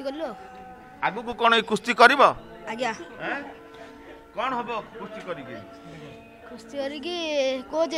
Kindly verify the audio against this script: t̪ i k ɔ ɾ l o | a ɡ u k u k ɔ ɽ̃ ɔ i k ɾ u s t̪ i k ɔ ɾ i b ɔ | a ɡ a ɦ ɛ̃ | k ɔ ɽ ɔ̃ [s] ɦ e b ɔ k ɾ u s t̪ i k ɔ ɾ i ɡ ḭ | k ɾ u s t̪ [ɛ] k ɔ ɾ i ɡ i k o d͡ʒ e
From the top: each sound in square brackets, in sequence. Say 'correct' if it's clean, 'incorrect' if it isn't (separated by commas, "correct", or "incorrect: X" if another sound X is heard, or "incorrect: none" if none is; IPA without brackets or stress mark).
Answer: incorrect: none, incorrect: i